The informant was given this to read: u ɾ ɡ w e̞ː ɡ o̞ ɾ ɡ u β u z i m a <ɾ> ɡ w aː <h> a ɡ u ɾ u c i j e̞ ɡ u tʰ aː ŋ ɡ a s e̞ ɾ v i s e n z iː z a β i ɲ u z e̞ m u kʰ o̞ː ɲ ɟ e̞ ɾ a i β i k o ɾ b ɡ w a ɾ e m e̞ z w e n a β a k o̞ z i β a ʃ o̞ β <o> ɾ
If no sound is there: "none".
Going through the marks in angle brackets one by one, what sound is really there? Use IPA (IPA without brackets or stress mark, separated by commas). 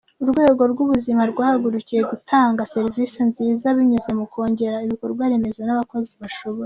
ɾ, h, o